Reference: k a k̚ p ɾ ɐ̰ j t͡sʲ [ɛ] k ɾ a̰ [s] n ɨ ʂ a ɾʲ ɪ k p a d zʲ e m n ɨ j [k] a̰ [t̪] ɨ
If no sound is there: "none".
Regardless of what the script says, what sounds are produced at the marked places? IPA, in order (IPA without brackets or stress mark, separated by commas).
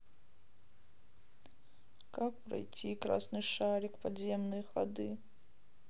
i, s, x, d̪